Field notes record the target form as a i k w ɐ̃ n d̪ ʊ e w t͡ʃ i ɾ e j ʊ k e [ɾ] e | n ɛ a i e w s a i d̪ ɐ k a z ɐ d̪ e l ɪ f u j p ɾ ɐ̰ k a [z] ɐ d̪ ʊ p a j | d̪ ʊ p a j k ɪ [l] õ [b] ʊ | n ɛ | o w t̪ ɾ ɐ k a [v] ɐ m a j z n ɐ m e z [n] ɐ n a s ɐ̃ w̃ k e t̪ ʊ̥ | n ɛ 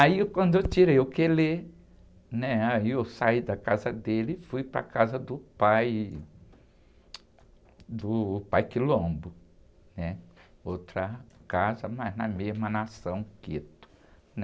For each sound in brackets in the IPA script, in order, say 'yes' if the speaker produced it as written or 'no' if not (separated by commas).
no, yes, yes, yes, no, no